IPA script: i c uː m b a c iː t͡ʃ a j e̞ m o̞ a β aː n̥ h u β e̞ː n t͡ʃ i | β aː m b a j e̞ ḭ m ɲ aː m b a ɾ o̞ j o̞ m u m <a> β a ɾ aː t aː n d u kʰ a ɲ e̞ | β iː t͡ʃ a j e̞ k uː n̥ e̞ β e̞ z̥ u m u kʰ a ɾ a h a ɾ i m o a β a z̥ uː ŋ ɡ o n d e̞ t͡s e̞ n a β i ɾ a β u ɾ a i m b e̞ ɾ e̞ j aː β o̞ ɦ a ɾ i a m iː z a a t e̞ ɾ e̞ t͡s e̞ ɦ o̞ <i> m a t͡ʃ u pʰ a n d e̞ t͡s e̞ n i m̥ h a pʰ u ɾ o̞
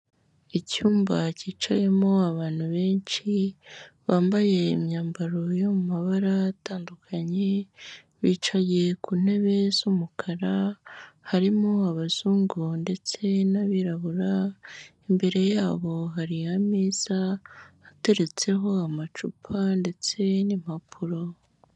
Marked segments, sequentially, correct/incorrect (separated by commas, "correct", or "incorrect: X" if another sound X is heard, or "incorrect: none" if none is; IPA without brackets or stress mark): correct, incorrect: a